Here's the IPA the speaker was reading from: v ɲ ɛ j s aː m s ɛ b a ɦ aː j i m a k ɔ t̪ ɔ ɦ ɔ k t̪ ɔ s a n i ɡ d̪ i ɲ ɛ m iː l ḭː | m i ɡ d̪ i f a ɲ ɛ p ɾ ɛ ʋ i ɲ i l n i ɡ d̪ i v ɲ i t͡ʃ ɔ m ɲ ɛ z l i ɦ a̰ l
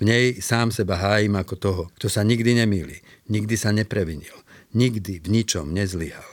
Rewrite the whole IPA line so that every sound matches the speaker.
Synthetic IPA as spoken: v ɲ ɛ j s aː m s ɛ b a ɦ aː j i m a k ɔ t̪ ɔ ɦ ɔ k t̪ ɔ s a ɲ i ɡ d̪ i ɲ ɛ m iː l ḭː | ɲ i ɡ d̪ i s a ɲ ɛ p ɾ ɛ ʋ i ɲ i l ɲ i ɡ d̪ i v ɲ i t͡ʃ ɔ m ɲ ɛ z l i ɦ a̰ l